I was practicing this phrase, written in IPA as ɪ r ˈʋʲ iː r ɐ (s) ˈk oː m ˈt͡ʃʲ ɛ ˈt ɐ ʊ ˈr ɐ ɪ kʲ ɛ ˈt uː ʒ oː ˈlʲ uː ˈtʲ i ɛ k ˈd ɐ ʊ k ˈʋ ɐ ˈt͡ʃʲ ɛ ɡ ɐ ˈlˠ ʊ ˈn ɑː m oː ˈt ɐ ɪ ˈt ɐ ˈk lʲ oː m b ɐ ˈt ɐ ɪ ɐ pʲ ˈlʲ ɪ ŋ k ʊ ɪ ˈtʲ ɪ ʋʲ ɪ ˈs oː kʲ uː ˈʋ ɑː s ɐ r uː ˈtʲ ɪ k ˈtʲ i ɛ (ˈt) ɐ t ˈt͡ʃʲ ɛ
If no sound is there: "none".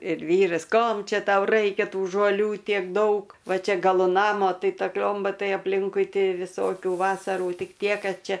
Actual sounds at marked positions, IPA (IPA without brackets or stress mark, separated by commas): s, k